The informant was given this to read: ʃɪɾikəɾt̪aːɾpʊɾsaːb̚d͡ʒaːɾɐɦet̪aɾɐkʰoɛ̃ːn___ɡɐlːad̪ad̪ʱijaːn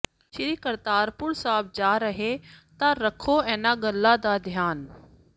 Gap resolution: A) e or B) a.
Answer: B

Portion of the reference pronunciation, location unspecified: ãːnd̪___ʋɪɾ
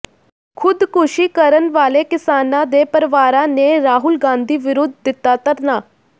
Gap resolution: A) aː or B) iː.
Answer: B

